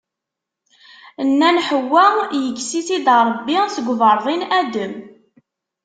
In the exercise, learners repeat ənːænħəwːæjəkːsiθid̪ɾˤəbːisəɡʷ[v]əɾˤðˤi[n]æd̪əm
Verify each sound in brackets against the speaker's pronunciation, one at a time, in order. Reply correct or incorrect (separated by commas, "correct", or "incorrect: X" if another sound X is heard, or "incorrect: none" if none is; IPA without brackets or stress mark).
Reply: correct, correct